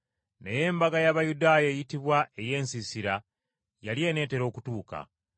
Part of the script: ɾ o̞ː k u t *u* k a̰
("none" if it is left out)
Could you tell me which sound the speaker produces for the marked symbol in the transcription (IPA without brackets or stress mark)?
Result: uː